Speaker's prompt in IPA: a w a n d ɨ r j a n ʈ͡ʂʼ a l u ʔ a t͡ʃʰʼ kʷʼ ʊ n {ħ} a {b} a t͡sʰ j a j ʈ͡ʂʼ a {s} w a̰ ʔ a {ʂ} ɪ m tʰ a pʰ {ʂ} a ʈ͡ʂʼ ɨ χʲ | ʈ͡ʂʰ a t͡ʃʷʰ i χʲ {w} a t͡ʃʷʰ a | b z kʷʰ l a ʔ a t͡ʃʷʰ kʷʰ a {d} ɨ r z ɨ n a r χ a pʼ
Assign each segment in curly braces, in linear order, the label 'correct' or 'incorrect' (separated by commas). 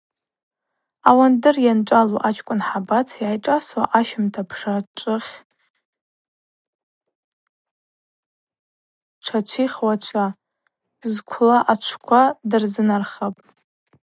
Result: correct, correct, correct, incorrect, correct, correct, correct